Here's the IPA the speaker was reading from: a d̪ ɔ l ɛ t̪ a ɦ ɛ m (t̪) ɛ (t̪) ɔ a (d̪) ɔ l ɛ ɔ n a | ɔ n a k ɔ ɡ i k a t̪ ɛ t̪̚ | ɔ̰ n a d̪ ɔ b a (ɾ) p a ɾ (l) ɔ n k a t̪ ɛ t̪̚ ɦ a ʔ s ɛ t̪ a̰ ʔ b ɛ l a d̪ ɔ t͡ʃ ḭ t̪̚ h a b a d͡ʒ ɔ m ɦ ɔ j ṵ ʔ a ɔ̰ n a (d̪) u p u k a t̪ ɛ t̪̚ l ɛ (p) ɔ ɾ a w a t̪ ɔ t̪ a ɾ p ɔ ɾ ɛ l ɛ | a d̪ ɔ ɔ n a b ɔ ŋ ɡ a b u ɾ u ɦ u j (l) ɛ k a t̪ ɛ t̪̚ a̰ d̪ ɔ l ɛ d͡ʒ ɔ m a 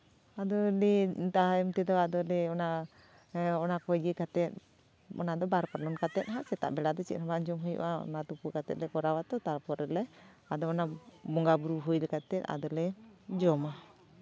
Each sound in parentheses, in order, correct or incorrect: correct, incorrect, correct, correct, correct, incorrect, incorrect, correct

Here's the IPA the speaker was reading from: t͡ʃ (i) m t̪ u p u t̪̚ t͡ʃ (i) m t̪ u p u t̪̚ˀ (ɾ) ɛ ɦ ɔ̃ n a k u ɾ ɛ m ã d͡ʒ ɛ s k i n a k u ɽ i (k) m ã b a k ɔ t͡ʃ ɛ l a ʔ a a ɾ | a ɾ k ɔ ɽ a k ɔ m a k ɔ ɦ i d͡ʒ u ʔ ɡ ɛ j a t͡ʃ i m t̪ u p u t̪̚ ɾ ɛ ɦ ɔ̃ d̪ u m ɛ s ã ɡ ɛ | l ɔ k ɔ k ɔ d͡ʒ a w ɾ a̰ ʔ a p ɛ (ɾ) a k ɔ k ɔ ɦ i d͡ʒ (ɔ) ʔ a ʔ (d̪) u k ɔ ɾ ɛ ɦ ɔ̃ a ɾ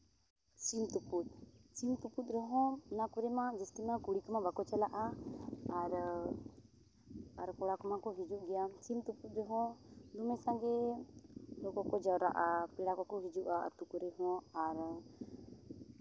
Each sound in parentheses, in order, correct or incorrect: correct, correct, correct, correct, incorrect, incorrect, incorrect

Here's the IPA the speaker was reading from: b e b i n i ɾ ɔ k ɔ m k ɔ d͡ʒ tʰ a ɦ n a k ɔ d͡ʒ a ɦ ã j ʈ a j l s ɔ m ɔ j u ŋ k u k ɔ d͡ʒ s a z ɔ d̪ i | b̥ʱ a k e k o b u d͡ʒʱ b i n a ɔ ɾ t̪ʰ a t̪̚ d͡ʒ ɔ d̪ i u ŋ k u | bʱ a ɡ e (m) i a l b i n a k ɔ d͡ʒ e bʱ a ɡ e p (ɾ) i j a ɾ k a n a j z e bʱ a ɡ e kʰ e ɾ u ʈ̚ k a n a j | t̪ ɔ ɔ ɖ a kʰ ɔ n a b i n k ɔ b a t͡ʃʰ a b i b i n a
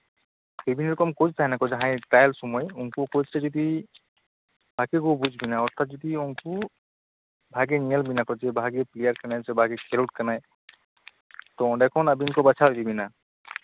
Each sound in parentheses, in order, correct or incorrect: incorrect, incorrect

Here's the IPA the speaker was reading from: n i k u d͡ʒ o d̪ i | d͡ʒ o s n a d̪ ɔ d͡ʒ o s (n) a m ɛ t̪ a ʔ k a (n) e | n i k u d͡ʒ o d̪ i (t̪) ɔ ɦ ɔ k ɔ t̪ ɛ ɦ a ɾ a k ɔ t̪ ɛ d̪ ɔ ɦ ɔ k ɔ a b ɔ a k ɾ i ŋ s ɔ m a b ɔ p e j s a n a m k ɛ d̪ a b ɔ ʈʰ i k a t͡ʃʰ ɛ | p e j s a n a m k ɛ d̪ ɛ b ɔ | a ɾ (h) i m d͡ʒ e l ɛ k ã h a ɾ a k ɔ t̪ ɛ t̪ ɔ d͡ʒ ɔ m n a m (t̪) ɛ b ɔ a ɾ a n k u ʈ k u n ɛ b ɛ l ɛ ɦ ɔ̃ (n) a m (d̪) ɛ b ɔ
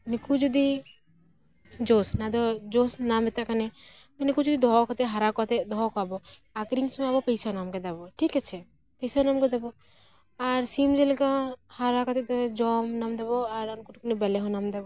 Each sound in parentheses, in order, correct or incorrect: correct, correct, incorrect, incorrect, incorrect, correct, correct

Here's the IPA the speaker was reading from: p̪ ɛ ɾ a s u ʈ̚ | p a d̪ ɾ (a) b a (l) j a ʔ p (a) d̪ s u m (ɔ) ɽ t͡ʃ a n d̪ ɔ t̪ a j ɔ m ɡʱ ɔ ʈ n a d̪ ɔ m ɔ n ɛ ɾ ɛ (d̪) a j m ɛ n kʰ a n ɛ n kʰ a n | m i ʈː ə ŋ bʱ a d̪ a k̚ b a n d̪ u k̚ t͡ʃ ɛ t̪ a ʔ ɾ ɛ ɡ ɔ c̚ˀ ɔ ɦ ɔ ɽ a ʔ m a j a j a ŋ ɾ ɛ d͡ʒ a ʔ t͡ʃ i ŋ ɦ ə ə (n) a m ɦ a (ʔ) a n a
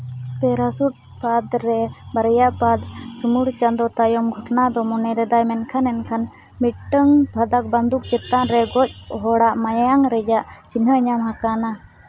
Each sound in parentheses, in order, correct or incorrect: incorrect, incorrect, correct, incorrect, correct, incorrect, incorrect

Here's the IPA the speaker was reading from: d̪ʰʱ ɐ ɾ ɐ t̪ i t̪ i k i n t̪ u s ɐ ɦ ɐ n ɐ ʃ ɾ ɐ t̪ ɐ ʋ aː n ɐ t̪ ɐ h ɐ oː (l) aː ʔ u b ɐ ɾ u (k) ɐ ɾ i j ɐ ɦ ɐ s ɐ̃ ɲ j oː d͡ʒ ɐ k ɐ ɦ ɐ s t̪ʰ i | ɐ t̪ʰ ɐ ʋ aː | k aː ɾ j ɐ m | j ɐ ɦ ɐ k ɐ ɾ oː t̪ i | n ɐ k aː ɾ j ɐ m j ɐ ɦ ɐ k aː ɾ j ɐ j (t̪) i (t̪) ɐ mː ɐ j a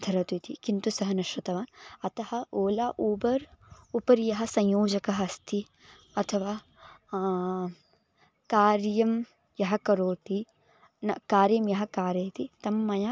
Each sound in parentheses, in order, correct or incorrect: correct, incorrect, correct, correct

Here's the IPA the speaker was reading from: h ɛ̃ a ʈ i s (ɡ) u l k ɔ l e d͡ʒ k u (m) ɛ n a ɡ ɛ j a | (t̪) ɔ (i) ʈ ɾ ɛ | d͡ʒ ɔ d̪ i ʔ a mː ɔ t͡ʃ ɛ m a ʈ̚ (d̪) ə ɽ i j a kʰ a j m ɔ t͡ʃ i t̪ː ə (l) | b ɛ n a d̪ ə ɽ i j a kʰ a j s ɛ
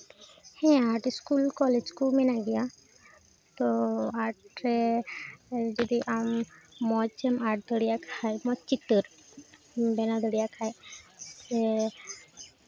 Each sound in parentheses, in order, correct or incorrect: incorrect, correct, correct, incorrect, correct, incorrect

